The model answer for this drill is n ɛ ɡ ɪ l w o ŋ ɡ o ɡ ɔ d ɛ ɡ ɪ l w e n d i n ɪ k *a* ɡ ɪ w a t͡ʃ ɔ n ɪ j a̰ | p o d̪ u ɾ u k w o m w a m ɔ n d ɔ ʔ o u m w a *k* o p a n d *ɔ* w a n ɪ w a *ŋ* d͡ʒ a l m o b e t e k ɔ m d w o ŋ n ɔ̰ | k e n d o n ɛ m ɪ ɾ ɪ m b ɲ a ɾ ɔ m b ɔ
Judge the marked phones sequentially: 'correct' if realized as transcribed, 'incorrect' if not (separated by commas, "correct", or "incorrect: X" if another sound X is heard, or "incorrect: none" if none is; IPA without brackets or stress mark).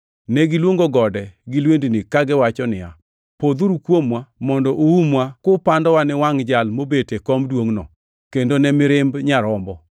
correct, correct, correct, correct